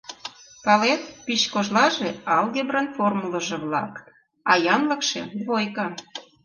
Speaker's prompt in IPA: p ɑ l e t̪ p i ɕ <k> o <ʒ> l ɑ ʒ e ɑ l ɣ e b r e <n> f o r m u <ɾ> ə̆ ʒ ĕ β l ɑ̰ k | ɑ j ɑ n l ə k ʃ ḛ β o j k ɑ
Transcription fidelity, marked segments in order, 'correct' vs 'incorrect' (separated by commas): correct, correct, correct, incorrect